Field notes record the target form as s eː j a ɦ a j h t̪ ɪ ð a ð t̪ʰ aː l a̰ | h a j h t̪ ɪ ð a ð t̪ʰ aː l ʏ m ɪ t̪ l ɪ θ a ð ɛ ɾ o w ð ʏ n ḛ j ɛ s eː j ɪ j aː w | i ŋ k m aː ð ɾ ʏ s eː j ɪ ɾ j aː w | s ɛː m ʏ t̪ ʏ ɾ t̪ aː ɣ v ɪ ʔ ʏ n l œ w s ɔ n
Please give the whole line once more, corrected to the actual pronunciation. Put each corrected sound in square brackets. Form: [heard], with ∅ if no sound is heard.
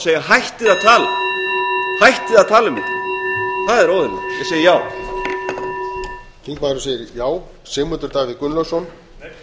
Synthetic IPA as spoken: s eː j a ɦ a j h t̪ ɪ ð a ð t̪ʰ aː l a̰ | h a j h t̪ ɪ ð a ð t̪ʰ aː l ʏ m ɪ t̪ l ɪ θ a ð ɛ ɾ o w ð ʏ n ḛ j ɛ s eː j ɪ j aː w | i ŋ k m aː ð ɾ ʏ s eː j ɪ ɾ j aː w | s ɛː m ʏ t̪ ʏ ɾ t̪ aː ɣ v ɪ [k] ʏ n l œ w s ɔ n